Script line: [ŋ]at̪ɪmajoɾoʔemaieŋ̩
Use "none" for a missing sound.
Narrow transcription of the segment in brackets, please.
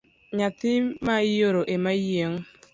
ɲ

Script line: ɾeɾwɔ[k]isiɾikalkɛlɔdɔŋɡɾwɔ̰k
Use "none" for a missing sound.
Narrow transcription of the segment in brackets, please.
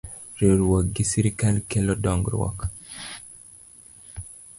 ɡ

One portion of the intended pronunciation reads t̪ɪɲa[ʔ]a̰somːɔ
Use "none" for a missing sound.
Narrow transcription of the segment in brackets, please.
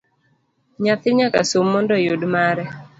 k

